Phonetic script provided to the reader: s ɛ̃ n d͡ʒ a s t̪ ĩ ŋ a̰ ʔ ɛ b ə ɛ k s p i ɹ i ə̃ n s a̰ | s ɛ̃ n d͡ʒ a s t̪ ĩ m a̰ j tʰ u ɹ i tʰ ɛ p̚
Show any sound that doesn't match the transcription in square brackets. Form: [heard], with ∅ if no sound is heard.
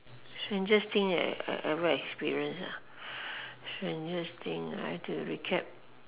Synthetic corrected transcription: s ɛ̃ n d͡ʒ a s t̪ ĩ ŋ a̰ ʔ ɛ [v] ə ɛ k s p i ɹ i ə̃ n s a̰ | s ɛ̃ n d͡ʒ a s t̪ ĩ [ŋ] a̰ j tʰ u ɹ i [kʰ] ɛ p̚